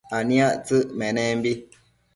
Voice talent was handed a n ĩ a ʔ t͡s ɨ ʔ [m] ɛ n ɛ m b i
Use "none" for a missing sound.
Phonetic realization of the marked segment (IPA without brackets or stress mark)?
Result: m